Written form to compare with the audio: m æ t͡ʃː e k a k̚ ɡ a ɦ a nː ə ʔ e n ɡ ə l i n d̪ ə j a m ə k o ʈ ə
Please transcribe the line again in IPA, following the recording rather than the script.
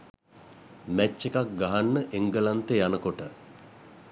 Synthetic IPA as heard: m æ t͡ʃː e k a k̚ ɡ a ɦ a nː ə ʔ e ŋ ɡ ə l a n t̪ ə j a n ə k o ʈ ə